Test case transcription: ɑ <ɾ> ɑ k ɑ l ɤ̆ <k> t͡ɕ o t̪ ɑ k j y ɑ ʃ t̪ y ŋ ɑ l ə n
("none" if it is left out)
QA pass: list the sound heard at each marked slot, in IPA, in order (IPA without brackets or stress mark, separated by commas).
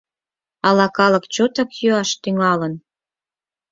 l, k